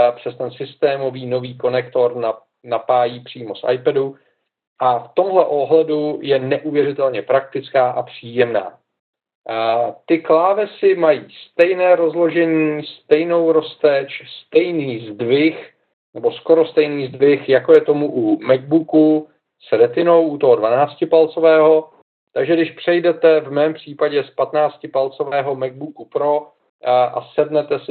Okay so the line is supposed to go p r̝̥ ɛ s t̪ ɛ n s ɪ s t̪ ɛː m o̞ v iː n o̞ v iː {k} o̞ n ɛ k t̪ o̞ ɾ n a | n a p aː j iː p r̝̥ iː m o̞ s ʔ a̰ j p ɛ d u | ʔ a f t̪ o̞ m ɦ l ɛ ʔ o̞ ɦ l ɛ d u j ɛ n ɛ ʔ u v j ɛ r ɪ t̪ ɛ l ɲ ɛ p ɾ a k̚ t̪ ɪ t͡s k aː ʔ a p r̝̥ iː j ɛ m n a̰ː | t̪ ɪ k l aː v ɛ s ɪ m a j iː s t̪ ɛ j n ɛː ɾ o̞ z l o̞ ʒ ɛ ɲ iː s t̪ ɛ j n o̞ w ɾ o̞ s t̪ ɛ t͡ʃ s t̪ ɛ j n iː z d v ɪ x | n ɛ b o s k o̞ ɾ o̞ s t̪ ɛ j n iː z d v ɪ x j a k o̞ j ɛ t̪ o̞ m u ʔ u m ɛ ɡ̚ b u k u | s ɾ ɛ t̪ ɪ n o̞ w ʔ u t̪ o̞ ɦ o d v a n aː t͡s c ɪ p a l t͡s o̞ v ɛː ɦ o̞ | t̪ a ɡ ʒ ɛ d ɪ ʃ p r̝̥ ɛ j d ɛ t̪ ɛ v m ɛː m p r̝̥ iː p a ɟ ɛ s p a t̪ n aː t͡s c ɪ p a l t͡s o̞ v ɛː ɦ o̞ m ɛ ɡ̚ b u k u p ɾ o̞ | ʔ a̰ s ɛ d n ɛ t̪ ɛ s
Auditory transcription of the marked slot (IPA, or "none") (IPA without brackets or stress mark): k